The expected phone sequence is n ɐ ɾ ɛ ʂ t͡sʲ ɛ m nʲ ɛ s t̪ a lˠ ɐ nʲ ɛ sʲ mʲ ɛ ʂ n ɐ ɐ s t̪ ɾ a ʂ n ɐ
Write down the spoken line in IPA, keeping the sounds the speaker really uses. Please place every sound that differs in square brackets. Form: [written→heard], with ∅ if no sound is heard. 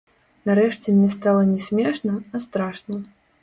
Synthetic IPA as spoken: n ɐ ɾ ɛ ʂ t͡sʲ ɛ m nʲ ɛ s t̪ a lˠ ɐ nʲ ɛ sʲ mʲ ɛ ʂ n ɐ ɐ s t̪ ɾ a ʂ n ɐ